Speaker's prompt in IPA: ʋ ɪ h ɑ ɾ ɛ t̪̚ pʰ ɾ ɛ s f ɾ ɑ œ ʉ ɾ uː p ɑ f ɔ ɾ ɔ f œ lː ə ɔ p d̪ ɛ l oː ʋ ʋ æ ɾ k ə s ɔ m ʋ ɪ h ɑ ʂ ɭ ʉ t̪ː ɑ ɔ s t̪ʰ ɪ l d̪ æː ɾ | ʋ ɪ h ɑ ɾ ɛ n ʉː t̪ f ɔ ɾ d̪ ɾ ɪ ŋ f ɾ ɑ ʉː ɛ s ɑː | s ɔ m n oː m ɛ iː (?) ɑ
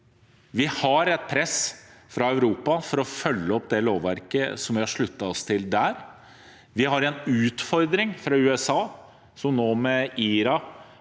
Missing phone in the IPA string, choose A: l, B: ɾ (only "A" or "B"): B